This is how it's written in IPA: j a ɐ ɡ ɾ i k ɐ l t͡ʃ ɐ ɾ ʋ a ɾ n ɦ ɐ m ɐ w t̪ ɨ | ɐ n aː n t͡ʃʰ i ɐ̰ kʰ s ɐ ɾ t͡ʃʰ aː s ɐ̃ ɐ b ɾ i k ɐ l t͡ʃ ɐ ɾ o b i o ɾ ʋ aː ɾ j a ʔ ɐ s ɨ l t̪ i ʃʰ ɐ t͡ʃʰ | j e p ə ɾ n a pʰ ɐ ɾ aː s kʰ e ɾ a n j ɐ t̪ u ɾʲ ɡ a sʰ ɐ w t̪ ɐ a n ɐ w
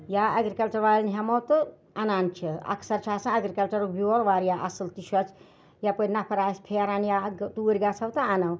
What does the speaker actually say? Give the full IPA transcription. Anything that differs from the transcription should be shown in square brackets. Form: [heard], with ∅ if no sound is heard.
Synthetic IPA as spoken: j a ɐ ɡ ɾ i k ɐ l t͡ʃ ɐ ɾ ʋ a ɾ n ɦ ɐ m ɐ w t̪ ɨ | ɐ n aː n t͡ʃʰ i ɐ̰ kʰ s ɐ ɾ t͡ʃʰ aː s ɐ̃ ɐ [ɡ] ɾ i k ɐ l t͡ʃ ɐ ɾ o b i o ɾ ʋ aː ɾ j a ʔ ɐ s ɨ l t̪ i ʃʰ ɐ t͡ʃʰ | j [a] p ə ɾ n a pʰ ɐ ɾ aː s [pʰ] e ɾ a n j [a] t̪ u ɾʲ ɡ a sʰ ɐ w t̪ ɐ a n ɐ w